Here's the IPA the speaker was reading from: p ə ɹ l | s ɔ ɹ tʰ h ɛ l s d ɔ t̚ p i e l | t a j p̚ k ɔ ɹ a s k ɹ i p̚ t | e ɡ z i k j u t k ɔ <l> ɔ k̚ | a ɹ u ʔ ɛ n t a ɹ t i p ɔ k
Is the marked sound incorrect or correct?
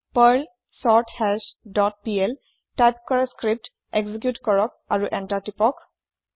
incorrect